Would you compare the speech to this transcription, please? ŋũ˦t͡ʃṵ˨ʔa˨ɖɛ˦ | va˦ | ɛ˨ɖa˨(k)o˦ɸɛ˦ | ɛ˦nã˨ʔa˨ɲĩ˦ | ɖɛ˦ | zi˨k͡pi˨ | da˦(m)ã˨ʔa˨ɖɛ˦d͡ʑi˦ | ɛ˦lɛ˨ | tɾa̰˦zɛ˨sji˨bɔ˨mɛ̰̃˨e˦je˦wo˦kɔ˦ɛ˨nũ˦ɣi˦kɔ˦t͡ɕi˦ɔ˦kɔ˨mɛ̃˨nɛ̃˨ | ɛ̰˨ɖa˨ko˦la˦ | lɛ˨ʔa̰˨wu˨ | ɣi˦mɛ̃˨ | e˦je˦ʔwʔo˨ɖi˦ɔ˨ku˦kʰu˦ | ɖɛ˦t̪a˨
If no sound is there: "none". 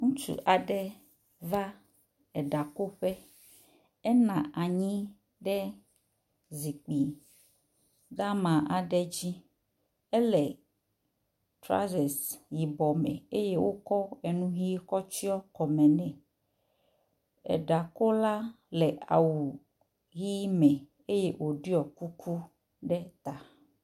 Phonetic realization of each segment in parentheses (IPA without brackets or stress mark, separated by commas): k, m